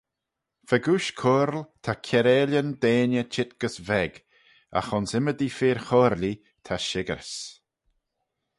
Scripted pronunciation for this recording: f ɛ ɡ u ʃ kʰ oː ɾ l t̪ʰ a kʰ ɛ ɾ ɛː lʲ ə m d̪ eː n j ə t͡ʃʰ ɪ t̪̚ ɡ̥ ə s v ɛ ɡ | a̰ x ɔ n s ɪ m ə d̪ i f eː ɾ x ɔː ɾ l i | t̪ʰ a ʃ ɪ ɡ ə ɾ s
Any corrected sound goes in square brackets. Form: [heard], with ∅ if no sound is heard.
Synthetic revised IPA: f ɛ ɡ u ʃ kʰ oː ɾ l t̪ʰ a kʰ ɛ ɾ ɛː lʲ ə [n] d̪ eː n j ə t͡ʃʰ ɪ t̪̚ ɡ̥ ə s v ɛ ɡ | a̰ x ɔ n s ɪ m ə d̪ i f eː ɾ x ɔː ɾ l i | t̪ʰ a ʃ ɪ ɡ ə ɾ s